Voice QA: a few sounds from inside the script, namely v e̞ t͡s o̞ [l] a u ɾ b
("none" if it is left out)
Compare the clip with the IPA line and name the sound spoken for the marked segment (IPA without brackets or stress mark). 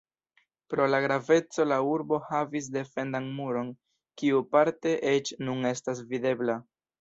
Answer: l